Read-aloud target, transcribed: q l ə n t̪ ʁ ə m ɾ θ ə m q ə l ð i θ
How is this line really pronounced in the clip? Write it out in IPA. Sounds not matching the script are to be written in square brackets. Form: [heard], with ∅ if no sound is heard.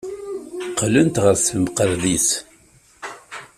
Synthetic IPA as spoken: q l ə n t̪ ʁ ə [∅] ɾ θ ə m q ə [ɾ] ð i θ